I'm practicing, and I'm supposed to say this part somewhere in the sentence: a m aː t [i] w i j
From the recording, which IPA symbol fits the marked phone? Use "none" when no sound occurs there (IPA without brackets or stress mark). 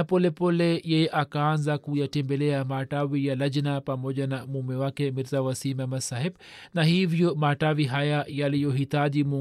a